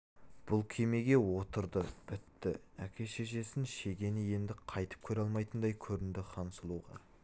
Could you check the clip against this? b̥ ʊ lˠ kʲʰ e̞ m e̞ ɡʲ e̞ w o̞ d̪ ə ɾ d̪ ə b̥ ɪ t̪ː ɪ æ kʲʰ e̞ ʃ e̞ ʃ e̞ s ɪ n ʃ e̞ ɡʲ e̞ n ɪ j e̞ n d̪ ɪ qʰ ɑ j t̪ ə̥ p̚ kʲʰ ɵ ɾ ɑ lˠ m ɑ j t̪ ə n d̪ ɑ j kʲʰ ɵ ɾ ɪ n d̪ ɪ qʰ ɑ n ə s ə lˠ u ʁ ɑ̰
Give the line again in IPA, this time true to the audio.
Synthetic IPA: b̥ ʊ lˠ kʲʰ e̞ m e̞ ɡʲ e̞ w o̞ t̪ ə ɾ d̪ ə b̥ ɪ t̪ː ɪ æ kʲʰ e̞ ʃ e̞ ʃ e̞ s ɪ n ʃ e̞ ɡʲ e̞ n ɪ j e̞ n d̪ ɪ qʰ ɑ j t̪ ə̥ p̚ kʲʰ ɵ ɾ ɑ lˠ m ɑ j t̪ ə n d̪ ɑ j kʲʰ ɵ ɾ ɪ n d̪ ɪ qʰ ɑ n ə s ə lˠ u ʁ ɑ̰